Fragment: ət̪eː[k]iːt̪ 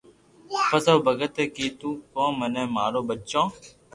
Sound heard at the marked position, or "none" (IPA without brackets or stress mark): k